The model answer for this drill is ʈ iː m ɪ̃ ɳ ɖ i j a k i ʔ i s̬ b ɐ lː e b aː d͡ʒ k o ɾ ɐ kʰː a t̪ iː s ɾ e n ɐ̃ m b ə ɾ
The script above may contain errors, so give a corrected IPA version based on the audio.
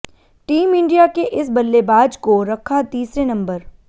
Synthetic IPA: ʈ iː m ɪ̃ ɳ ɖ i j a k e ʔ ɪ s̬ b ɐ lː e b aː d͡ʒ k o ɾ ɐ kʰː a t̪ iː s ɾ e n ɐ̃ m b ə ɾ